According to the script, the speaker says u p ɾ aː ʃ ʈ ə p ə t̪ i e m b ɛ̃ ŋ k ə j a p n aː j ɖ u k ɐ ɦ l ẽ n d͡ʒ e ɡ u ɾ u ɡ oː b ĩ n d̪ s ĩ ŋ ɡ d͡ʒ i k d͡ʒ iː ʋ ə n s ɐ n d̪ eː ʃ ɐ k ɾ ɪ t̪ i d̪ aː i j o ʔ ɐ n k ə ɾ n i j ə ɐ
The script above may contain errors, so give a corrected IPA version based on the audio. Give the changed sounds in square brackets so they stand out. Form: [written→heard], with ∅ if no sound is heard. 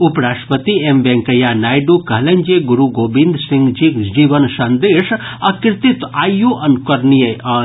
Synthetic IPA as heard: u p ɾ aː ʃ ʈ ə p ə t̪ i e m b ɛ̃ ŋ k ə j a [p→∅] n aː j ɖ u k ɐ ɦ l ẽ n d͡ʒ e ɡ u ɾ u ɡ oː b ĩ n d̪ s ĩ ŋ ɡ d͡ʒ i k d͡ʒ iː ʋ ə n s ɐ n d̪ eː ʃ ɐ k ɾ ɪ t̪ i [d̪→t̪] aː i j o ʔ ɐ n k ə ɾ n i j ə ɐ